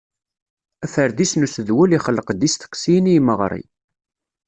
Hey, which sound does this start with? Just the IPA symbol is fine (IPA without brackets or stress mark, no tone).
æ